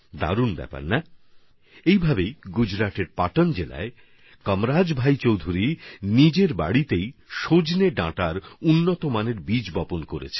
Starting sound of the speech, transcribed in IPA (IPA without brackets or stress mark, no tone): d̪